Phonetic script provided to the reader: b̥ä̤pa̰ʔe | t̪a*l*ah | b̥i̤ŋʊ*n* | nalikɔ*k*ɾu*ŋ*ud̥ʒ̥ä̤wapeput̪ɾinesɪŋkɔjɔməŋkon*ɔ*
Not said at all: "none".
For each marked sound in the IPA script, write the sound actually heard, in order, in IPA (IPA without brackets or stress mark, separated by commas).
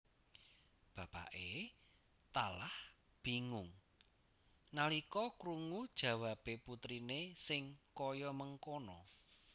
l, ŋ, k, ŋ, ɔ